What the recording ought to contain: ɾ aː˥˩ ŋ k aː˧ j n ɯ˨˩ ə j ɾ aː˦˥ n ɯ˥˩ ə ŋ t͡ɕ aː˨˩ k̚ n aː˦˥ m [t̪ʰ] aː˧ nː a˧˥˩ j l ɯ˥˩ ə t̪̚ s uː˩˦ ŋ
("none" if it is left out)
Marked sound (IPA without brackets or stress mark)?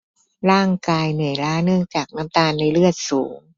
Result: t̪